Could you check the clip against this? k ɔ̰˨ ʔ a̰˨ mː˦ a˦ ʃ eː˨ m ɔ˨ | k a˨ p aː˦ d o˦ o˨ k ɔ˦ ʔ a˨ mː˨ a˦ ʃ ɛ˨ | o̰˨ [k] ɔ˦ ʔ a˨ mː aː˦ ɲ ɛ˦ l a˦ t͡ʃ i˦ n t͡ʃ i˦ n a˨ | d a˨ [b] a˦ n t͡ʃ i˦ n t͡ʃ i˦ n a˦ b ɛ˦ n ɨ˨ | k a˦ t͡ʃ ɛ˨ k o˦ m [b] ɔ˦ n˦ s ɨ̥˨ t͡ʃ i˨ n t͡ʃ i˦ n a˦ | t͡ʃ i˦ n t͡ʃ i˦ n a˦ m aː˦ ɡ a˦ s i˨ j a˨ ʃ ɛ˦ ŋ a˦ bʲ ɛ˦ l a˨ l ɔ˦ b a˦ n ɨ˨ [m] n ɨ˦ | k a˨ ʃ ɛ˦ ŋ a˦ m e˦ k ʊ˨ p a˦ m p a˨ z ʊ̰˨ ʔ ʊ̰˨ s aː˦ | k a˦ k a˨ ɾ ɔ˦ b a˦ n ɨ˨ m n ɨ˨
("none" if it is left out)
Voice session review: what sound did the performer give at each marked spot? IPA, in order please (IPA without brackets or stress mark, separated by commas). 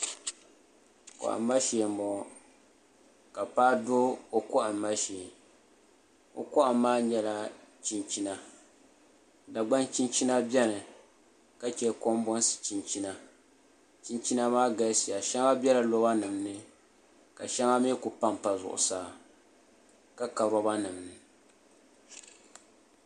k, ɡ͡b, b, m